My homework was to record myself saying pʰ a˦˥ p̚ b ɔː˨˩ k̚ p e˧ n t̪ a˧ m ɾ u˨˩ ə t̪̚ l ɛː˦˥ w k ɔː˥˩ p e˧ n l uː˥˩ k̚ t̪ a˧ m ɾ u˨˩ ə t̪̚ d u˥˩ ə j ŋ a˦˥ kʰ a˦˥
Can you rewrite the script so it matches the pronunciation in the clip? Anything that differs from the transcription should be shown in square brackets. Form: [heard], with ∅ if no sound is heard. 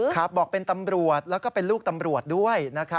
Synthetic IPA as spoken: [kʰ] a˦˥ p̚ b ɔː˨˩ k̚ p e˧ n t̪ a˧ m ɾ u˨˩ ə t̪̚ l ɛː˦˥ w k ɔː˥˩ p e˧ n l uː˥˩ k̚ t̪ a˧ m ɾ u˨˩ ə t̪̚ d u˥˩ ə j [n] a˦˥ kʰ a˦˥